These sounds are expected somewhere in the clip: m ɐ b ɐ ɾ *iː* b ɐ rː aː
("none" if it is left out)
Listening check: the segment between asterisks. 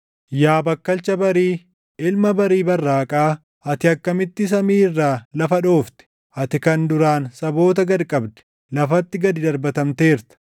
iː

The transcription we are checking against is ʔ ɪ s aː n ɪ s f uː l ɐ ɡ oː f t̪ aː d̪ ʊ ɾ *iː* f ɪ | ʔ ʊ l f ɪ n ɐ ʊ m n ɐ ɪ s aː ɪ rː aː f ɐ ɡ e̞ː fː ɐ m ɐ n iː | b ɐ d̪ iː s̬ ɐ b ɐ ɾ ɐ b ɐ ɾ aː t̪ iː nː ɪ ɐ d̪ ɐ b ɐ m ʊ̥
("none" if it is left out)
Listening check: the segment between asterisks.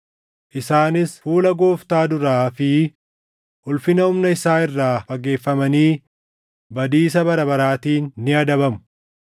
aː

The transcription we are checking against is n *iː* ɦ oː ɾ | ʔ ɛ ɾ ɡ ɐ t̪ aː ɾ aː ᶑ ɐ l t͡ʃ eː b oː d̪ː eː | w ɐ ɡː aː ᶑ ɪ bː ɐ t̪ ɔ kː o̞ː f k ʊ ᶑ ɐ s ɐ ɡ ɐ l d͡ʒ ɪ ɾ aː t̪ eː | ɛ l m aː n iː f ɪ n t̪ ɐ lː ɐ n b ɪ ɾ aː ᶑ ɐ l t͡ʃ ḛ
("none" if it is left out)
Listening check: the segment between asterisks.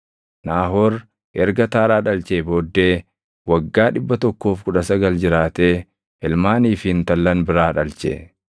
aː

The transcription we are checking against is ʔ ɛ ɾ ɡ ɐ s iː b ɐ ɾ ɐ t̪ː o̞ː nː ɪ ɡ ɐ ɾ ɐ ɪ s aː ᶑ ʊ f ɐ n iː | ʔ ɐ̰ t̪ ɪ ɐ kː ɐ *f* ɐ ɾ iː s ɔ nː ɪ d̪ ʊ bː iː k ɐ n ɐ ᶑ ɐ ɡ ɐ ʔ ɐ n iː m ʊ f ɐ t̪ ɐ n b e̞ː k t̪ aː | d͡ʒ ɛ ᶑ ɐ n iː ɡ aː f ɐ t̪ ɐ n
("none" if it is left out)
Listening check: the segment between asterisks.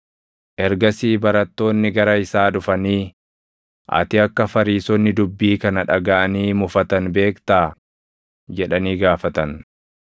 f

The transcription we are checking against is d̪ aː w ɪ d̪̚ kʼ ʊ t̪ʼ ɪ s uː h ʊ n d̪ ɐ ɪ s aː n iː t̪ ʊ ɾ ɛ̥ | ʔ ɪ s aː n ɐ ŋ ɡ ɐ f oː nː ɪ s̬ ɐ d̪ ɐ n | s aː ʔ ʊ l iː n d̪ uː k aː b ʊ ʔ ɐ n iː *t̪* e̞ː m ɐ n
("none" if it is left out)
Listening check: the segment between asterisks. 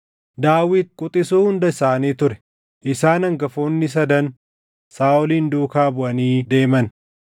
d̪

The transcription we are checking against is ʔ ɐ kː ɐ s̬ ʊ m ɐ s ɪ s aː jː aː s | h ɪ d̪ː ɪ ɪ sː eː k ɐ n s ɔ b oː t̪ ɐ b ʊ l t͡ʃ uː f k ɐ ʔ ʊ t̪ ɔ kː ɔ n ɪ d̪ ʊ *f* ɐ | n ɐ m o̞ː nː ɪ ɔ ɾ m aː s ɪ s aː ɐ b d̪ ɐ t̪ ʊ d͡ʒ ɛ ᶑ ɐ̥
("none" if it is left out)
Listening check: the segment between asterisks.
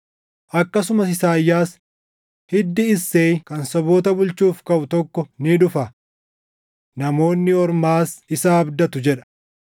f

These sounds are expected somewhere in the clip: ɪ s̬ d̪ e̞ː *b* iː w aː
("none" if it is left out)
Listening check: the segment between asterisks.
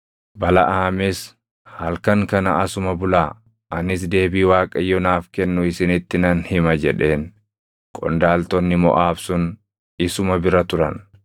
b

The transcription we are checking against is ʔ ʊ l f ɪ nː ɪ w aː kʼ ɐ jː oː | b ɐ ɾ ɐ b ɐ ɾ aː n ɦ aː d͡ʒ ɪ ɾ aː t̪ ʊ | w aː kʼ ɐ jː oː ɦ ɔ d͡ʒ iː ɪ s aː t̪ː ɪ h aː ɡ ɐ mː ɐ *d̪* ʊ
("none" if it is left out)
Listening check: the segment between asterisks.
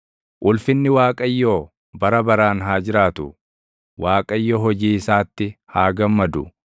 d̪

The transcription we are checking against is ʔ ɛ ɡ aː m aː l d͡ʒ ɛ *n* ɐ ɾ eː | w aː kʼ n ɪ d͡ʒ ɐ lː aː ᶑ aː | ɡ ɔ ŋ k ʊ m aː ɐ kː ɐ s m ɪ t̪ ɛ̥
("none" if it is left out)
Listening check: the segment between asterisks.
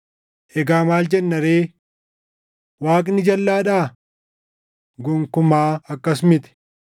nː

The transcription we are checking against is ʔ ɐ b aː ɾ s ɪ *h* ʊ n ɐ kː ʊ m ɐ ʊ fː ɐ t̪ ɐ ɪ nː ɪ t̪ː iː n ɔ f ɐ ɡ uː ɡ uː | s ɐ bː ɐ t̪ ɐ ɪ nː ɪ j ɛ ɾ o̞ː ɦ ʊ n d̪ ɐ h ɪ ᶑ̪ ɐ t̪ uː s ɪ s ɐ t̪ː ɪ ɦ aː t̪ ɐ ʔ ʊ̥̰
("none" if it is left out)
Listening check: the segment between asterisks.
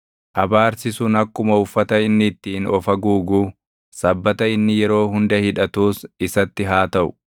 s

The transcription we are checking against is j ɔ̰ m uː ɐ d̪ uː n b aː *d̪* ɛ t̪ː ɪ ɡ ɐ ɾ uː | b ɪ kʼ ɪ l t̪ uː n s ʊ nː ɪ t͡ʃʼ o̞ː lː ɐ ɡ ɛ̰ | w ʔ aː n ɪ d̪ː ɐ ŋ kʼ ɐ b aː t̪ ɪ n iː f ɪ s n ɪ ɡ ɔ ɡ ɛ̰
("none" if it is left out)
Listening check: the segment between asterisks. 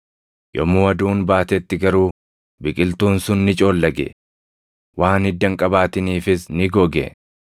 t̪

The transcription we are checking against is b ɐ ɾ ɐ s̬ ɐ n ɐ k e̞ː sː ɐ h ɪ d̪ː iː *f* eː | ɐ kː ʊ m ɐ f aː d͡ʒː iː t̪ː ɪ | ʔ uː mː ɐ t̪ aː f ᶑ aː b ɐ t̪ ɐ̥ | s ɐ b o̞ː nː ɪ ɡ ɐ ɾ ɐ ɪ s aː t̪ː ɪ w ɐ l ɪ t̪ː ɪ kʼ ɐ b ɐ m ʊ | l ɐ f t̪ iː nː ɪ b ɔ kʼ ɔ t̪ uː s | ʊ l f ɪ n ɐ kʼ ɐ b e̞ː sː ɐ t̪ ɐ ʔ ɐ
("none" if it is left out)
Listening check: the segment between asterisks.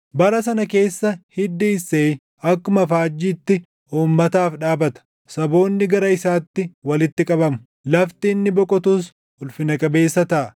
s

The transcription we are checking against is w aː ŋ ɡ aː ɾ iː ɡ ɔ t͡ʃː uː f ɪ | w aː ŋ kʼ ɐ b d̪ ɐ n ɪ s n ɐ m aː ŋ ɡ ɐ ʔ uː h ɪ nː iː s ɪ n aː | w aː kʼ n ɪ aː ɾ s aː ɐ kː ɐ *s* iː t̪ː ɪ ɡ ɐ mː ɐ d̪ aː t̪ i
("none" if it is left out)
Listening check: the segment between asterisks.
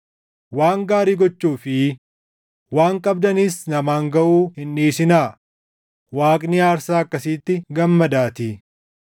s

